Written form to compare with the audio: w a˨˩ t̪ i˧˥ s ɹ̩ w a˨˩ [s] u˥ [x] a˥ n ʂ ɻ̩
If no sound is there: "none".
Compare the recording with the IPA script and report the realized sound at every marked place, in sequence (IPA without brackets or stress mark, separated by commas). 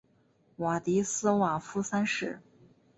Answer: f, s